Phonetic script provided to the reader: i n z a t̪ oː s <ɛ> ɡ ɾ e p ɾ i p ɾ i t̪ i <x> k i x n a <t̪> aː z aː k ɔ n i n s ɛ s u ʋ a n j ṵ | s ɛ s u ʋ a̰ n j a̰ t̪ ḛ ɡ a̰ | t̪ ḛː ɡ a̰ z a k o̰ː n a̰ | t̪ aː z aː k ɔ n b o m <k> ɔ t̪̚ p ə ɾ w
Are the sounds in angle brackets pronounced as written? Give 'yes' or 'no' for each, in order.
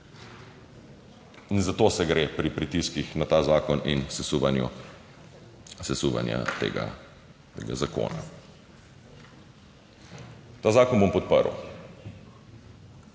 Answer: yes, no, yes, no

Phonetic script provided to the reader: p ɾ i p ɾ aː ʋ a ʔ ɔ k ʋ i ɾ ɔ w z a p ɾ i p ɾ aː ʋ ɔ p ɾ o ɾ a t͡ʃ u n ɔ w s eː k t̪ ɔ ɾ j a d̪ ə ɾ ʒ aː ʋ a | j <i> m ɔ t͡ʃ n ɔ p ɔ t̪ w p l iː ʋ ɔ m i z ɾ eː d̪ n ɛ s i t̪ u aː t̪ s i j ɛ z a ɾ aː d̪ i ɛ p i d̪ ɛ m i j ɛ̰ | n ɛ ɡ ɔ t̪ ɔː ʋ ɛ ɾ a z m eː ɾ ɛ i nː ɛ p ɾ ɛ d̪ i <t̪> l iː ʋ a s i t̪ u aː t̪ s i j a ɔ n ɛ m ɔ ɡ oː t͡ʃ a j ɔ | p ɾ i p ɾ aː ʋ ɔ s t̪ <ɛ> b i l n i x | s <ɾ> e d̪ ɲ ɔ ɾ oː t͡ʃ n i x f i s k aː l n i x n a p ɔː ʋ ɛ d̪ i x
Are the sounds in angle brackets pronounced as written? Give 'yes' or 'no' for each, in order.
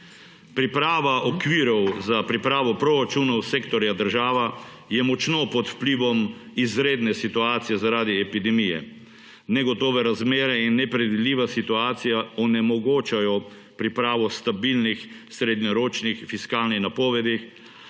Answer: no, no, no, yes

